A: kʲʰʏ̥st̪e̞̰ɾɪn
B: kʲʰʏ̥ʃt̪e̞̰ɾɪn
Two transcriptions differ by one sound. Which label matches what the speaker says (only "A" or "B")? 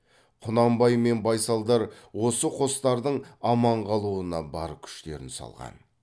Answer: B